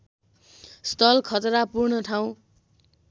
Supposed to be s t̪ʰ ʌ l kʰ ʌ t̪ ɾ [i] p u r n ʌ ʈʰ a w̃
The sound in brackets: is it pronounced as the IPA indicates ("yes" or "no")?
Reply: no